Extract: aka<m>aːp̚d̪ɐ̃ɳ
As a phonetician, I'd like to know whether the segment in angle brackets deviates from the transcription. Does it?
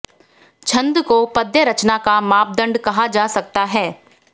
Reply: no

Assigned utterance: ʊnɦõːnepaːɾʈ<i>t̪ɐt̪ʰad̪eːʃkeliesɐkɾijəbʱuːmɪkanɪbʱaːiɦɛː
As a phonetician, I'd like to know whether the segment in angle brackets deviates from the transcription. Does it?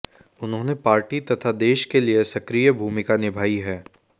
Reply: no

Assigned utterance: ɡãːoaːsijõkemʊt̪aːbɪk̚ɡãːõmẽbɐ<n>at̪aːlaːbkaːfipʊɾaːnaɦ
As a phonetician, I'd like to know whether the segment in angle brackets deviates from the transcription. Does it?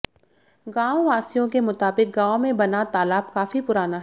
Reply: no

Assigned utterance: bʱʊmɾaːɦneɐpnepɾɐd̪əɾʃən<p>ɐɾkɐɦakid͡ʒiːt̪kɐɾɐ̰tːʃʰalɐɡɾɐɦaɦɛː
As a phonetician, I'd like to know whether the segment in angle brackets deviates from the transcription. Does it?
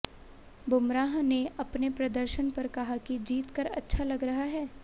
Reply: no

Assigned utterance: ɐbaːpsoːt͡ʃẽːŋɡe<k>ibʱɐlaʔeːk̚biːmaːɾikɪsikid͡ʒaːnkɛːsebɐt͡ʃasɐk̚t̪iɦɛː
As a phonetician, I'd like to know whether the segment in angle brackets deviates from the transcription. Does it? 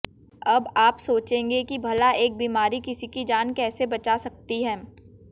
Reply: no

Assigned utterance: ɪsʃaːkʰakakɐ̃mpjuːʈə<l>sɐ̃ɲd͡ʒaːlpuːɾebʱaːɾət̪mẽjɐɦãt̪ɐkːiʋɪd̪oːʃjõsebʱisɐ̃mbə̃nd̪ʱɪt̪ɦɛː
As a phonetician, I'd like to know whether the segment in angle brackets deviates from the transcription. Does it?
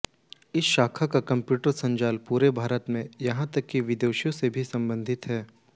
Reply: yes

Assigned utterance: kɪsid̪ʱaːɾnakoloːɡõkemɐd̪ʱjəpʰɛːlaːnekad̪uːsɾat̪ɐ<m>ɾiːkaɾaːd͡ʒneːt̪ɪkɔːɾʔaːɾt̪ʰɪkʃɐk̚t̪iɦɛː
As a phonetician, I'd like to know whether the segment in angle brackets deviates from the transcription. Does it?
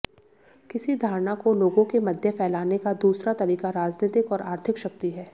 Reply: yes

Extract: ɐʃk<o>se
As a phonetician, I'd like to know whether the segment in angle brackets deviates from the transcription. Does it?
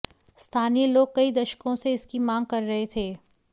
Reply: yes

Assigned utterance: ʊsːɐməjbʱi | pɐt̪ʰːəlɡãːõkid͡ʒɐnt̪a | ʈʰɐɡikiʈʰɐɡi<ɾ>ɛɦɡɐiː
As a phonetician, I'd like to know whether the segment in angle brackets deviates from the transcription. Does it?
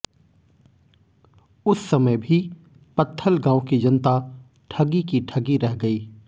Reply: no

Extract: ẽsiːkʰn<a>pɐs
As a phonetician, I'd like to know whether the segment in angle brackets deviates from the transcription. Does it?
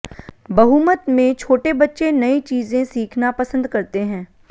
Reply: no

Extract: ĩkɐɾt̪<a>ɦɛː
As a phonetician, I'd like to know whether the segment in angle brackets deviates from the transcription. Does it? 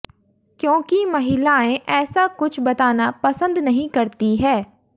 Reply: yes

